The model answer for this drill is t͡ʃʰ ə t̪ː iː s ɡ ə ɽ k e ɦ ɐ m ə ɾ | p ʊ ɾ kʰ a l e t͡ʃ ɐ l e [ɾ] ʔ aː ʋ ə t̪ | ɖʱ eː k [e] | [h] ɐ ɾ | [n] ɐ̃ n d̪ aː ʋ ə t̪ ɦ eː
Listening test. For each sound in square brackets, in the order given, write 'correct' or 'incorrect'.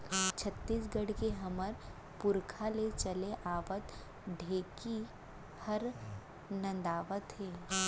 incorrect: none, incorrect: i, correct, correct

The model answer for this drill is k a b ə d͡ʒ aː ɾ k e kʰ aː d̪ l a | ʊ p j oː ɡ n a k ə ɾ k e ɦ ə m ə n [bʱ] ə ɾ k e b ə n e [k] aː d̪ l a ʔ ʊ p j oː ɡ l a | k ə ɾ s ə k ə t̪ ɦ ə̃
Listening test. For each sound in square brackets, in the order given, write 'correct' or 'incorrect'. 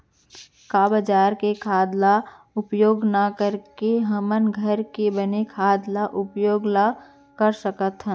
incorrect: ɡʱ, incorrect: kʰ

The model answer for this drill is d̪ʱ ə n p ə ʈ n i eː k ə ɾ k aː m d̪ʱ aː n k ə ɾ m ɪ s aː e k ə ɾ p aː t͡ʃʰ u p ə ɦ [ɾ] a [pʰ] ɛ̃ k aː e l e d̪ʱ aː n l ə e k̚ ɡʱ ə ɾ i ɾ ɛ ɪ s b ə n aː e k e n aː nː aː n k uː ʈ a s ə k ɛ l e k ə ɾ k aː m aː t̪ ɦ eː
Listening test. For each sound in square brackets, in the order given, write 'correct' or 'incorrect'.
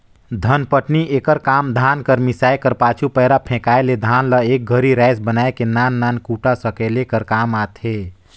correct, correct

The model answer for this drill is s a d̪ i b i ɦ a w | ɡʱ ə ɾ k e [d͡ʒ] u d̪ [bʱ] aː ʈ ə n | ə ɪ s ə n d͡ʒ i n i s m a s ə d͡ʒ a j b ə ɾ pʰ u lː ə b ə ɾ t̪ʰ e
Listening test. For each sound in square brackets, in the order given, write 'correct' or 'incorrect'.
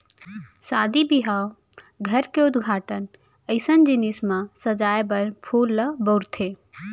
incorrect: none, incorrect: ɡʱ

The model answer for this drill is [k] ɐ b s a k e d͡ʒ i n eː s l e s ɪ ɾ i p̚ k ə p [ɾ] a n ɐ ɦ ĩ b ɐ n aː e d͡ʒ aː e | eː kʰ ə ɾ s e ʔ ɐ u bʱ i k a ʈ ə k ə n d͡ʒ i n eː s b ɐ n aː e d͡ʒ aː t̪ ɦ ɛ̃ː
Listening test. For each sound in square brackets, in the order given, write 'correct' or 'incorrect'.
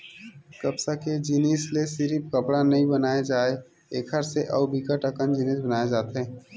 correct, incorrect: ɽ

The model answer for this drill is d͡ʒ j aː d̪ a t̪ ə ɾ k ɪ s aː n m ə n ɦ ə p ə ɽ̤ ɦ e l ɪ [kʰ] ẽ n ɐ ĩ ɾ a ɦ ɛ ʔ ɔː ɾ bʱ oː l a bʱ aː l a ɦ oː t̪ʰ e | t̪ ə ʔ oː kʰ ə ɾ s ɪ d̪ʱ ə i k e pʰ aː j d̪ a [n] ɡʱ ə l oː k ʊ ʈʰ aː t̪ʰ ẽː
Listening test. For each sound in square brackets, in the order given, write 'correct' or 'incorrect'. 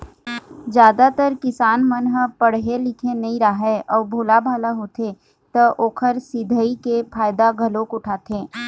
correct, incorrect: none

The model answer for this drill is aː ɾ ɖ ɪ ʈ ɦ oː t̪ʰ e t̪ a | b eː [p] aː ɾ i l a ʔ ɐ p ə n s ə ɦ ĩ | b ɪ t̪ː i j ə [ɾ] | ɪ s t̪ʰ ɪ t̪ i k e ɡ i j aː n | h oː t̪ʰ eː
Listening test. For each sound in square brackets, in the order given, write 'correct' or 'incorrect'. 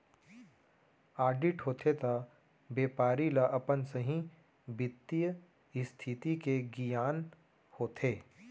correct, incorrect: none

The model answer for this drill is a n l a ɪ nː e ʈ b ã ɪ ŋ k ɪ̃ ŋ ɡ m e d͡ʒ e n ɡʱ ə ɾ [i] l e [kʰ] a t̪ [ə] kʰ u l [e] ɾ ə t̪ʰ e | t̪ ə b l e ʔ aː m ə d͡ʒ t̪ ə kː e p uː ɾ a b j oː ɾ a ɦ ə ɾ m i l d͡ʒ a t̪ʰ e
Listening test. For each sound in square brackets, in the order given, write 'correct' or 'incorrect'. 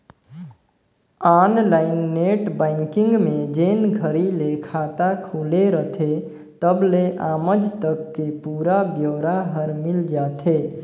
correct, correct, incorrect: a, correct

